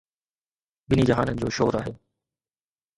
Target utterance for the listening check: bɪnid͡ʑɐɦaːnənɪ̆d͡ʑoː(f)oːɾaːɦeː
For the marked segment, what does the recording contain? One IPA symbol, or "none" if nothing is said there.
ʃ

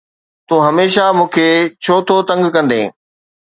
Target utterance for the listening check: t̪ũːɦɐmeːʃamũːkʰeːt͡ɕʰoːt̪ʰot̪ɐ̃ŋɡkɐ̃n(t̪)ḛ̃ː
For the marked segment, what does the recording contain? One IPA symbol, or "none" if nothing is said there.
d̪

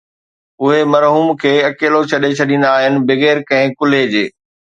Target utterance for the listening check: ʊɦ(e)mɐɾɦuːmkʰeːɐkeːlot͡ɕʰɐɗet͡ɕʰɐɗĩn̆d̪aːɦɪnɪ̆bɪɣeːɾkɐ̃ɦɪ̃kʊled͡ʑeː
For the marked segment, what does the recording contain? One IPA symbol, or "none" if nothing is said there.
e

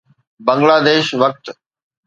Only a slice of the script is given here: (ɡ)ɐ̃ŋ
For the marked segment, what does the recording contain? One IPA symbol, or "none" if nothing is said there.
b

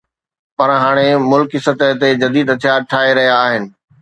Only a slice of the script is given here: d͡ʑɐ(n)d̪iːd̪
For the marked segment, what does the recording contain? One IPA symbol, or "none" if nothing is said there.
none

